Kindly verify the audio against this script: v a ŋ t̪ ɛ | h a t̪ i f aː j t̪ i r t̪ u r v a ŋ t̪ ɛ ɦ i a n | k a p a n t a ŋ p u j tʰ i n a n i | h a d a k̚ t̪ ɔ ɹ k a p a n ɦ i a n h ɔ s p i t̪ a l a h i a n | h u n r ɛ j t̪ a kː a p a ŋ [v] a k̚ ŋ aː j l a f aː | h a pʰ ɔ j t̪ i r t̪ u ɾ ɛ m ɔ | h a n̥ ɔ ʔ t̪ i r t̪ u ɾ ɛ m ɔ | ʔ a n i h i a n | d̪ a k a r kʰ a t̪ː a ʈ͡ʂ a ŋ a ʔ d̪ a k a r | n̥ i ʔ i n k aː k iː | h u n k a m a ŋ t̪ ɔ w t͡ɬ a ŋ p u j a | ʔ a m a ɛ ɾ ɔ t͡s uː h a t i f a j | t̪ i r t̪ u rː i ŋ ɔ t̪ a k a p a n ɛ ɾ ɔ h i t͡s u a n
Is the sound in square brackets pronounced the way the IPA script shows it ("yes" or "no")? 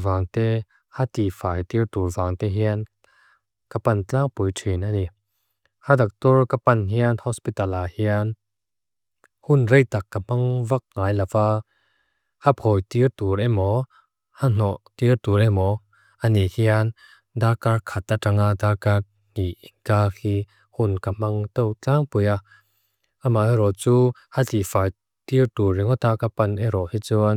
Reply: yes